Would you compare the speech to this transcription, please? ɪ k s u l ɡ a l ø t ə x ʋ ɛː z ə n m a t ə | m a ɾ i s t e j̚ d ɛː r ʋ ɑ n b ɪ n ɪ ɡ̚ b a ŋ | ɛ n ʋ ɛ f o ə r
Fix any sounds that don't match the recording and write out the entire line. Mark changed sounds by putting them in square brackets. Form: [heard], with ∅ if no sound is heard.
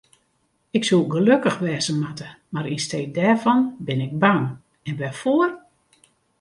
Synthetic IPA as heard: ɪ k s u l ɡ [ə] l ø [k] ə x ʋ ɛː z ə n m a t ə | m a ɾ i s t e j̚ d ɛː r [v] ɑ n b ɪ n ɪ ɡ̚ b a ŋ | ɛ n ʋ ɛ f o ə r

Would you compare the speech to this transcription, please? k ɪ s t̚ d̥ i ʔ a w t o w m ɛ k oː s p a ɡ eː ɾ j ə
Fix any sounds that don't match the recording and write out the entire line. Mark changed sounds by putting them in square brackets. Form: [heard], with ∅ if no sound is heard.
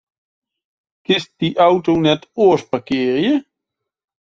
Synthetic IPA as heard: k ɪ s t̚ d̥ i ʔ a w t o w [n] ɛ [t] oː s p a [k] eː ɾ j ə

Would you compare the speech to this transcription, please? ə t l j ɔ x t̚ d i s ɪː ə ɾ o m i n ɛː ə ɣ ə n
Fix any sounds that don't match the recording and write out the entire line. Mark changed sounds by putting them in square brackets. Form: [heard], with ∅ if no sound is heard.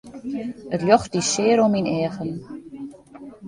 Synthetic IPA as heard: ə t l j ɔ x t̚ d i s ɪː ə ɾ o m i n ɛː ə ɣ ə n

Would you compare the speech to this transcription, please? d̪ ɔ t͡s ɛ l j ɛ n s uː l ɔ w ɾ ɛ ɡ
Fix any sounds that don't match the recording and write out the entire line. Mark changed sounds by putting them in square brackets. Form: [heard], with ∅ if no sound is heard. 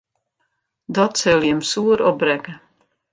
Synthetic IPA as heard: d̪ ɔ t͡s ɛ l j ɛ [m] s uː [ɾ] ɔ [b] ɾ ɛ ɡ

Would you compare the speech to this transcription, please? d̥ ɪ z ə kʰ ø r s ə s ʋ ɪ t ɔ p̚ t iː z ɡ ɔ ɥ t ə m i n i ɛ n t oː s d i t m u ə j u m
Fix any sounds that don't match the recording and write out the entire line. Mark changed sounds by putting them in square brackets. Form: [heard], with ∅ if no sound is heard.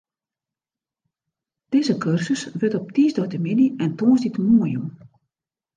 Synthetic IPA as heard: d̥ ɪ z ə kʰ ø r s ə s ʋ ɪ t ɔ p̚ t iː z [d] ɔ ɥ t ə m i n i ɛ n t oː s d i t m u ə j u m

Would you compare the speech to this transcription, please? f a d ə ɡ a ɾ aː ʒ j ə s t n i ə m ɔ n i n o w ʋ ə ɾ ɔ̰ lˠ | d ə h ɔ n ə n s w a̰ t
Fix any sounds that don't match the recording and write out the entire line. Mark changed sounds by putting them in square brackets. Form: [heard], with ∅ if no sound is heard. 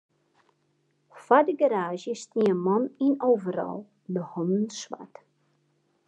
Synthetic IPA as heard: f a d ə ɡ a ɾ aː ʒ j ə s t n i ə m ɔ n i n o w [v] ə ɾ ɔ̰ lˠ | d ə h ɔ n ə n s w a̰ t

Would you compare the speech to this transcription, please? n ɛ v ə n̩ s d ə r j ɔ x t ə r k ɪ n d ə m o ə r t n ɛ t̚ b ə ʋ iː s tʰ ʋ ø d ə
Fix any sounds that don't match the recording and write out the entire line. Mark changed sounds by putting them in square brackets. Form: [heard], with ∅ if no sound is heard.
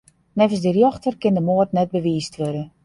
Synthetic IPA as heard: n ɛ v ə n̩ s d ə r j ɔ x t ə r k ɪ n d ə m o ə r t n ɛ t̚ b ə ʋ iː s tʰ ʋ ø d ə

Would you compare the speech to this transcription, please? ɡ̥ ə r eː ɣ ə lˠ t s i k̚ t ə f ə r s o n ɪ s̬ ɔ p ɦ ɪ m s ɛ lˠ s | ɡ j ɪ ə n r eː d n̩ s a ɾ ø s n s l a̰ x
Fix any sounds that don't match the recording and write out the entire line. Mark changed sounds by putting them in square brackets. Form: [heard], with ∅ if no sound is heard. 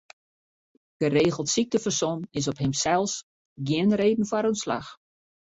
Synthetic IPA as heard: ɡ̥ ə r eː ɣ ə lˠ t s i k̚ t ə f ə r s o n ɪ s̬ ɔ p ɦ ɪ m s ɛ lˠ s | ɡ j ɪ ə n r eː d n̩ [f] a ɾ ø [∅] n s l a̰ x

